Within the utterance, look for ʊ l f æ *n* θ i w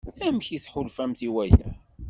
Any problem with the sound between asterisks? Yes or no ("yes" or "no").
yes